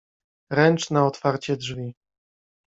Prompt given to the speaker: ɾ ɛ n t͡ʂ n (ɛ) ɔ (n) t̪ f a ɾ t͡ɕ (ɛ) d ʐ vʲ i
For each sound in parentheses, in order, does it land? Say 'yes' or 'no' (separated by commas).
no, no, yes